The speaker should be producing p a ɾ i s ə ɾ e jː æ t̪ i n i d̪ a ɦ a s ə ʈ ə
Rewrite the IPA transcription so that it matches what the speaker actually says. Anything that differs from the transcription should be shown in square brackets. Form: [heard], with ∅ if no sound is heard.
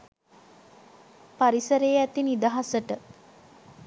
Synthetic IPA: p a ɾ i s ə ɾ e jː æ t̪ i n i d̪ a ɦ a s ə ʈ ə